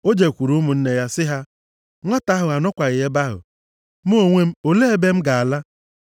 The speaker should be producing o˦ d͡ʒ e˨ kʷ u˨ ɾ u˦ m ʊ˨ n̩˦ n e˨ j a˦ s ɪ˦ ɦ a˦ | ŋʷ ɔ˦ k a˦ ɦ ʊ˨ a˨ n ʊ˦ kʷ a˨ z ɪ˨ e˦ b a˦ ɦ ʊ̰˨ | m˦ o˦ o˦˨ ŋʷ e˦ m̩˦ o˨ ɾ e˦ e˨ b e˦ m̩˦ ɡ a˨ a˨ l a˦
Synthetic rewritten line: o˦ d͡ʒ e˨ kʷ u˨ ɾ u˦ m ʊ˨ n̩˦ n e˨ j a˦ s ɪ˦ ɦ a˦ | ŋʷ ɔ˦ t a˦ ɦ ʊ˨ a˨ n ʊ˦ kʷ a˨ ɣ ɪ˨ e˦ b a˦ ɦ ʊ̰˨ | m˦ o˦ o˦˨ ŋʷ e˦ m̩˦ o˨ l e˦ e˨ b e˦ m̩˦ ɡ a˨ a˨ l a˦